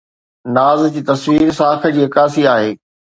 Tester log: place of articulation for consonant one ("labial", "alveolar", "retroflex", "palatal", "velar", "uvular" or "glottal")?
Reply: alveolar